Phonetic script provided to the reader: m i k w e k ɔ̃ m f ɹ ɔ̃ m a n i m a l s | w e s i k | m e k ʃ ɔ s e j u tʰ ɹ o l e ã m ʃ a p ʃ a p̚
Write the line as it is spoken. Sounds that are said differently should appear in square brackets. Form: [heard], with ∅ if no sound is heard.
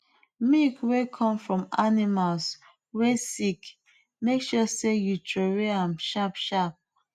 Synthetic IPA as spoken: m i k w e [kʰ] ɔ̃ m f ɹ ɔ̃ m a n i m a l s | w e s i k | m e k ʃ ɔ s e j u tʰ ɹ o [ɹ] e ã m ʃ a p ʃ a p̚